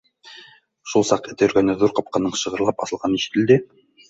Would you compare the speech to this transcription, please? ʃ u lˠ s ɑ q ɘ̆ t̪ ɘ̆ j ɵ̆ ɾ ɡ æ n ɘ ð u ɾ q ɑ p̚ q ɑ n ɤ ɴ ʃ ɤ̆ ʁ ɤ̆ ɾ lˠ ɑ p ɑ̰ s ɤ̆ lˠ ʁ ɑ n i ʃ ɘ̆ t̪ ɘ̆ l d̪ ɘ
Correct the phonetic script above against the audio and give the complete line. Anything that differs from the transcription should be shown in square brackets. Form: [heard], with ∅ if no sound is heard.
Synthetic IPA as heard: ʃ u lˠ s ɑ q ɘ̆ t̪ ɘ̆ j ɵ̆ ɾ ɡ æ n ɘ ð u ɾ q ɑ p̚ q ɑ n ɤ ɴ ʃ ɤ̆ ʁ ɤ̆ ɾ lˠ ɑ p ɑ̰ s ɤ̆ lˠ ʁ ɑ n i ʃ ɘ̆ t̪ ɘ̆ l d̪ ɘ